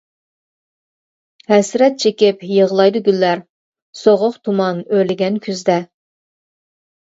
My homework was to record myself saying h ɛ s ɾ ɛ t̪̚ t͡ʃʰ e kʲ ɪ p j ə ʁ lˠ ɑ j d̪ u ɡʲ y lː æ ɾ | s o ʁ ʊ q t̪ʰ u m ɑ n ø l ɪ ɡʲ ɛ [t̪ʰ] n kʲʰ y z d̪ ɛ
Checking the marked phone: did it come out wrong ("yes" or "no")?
yes